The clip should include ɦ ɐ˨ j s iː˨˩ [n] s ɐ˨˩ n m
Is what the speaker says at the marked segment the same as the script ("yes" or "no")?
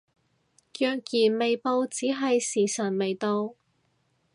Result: no